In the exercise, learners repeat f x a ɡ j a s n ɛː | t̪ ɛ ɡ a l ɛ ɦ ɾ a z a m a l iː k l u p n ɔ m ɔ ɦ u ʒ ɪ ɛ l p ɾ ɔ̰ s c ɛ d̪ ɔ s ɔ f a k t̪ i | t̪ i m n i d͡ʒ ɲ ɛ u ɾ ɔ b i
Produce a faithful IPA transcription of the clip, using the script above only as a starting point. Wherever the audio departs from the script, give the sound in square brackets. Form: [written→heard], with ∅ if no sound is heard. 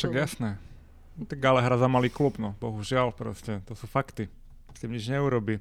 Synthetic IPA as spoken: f [x→ʃ] a ɡ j a s n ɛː | t̪ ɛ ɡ a l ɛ ɦ ɾ a z a m a l iː k l u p n ɔ [m→b] ɔ ɦ u ʒ ɪ [ɛ→a] l p ɾ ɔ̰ s c ɛ [d̪→t̪] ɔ s [ɔ→u] f a k t̪ i | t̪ i m [n→ɲ] i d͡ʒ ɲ ɛ u ɾ ɔ b i